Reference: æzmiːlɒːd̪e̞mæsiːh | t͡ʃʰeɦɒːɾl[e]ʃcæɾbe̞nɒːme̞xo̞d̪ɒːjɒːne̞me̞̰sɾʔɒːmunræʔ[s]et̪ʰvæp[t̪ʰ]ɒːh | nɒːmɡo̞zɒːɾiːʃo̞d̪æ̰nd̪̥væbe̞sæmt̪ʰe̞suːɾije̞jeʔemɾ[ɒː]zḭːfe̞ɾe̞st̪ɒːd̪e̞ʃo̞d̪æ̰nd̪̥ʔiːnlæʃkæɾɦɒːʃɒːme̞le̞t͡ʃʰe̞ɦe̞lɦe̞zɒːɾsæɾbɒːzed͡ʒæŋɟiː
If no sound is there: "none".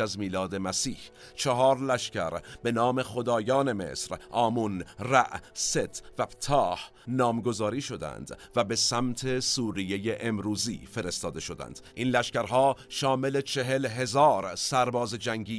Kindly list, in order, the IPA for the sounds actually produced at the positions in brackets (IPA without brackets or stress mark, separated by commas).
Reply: æ, s, t̪ʰ, uː